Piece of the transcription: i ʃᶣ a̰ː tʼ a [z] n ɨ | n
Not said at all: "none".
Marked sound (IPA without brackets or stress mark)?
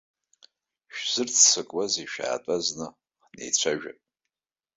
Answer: z